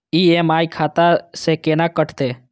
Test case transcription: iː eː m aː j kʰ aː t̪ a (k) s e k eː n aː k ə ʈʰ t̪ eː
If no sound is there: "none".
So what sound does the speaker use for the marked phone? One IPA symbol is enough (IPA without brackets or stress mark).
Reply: none